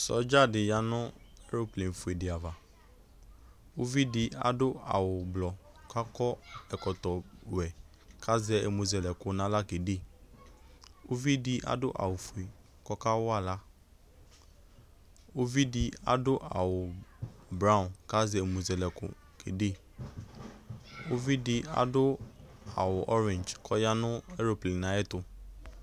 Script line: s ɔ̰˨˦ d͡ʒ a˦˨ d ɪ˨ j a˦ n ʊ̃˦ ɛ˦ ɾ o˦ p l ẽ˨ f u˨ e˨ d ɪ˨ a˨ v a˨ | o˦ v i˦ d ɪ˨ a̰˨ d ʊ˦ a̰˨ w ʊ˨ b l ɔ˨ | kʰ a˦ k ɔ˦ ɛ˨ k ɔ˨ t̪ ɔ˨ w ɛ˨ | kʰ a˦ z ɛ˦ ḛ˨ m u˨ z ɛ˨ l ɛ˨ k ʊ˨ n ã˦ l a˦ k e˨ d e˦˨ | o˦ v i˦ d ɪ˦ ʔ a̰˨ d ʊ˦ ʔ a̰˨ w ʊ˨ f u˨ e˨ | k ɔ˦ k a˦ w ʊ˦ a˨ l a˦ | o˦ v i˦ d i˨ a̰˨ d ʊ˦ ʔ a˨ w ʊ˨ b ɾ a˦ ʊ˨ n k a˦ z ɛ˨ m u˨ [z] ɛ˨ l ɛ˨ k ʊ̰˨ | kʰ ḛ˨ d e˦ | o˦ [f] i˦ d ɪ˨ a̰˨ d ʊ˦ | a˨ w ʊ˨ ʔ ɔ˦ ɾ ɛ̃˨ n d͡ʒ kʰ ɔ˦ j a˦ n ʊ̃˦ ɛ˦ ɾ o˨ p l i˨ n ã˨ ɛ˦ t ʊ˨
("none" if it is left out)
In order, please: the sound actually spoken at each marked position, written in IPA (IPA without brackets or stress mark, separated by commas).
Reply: z, v